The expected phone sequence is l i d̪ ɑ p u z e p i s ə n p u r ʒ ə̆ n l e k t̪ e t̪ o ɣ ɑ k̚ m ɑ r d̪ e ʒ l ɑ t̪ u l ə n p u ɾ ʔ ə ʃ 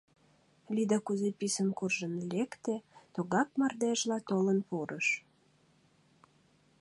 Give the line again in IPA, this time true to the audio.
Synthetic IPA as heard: l i d̪ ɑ k u z e p i s ə n k u r ʒ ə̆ n l e k t̪ e t̪ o ɣ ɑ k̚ m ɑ r d̪ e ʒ l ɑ t̪ o l ə n p u ɾ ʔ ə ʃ